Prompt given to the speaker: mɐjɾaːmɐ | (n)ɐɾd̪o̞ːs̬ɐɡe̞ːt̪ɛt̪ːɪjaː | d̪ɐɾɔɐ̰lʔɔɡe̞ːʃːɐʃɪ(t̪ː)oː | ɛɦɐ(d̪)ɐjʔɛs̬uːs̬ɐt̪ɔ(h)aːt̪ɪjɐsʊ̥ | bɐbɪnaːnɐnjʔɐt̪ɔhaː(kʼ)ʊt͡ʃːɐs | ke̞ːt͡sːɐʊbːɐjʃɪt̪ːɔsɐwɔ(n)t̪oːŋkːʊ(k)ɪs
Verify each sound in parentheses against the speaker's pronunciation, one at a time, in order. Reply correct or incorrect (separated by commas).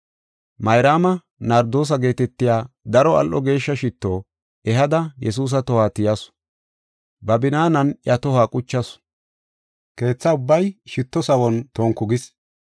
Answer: correct, correct, correct, correct, correct, correct, incorrect